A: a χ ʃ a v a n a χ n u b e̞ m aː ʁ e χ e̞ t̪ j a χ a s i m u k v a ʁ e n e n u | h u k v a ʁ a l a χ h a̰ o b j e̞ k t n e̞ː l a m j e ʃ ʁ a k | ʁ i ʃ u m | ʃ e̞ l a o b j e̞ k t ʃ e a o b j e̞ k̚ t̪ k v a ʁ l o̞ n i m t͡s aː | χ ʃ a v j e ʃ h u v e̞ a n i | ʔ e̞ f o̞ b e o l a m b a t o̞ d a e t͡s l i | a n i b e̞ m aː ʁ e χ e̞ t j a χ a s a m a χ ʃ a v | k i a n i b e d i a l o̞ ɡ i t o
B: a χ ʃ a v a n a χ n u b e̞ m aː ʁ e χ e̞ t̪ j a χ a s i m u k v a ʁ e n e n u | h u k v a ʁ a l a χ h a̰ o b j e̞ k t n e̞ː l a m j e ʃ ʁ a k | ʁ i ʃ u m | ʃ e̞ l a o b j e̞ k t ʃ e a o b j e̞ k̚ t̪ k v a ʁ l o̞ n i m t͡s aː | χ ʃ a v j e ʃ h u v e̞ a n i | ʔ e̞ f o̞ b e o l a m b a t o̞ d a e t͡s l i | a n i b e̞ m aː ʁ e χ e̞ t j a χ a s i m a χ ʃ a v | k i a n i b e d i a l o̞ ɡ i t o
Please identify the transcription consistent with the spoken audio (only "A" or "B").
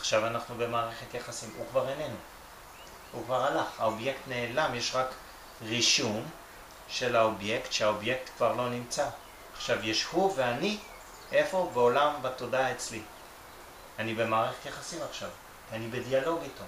B